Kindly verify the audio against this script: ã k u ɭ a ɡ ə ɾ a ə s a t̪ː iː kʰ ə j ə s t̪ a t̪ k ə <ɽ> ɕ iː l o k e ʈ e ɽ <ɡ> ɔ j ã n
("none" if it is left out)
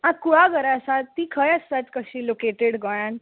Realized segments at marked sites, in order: none, ɡ

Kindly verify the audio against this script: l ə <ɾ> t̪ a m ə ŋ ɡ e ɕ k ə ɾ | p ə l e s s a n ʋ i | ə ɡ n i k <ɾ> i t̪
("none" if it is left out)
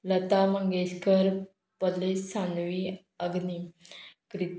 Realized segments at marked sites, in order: none, ɾ

